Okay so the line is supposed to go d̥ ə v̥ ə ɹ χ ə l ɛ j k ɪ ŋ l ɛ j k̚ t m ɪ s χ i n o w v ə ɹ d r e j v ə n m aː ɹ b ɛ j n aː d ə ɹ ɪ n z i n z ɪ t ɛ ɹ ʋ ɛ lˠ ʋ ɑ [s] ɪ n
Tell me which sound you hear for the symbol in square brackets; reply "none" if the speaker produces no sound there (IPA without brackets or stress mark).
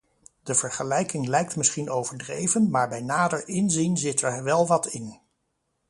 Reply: t